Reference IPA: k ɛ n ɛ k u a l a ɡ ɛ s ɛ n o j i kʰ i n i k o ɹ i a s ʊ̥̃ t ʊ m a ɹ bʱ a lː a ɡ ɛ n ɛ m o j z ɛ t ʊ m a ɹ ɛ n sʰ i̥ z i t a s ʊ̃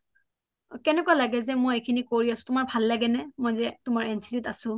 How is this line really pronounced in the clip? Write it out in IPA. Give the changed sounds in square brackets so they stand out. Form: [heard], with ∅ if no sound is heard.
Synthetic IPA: k ɛ n ɛ k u a l a ɡ ɛ [z] ɛ [m] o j [e] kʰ i n i k o ɹ i a s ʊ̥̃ t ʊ m a ɹ bʱ a lː a ɡ ɛ n ɛ m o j z ɛ t ʊ m a ɹ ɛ n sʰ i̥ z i t a s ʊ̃